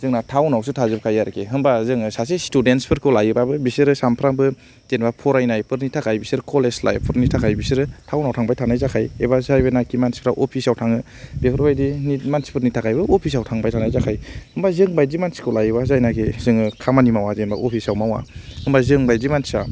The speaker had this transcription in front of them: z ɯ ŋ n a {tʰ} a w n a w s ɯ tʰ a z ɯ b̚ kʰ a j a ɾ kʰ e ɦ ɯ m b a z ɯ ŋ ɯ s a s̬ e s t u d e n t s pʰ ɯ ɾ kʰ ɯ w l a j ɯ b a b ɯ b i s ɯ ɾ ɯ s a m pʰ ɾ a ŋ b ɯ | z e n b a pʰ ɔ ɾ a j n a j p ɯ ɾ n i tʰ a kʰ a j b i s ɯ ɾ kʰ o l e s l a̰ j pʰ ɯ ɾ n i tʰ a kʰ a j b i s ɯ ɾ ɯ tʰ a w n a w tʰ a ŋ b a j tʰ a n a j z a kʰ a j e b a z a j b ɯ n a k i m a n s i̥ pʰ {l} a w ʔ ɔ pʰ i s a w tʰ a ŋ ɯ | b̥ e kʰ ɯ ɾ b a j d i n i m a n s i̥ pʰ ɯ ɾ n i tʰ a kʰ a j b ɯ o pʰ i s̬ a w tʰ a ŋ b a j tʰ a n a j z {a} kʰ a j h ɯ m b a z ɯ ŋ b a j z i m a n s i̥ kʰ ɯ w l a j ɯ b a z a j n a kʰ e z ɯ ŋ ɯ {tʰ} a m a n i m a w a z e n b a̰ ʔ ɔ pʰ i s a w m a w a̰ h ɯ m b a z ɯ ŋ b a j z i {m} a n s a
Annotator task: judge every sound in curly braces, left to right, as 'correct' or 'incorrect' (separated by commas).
correct, incorrect, correct, incorrect, correct